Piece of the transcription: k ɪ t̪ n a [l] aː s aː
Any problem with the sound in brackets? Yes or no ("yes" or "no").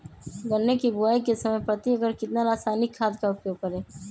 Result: yes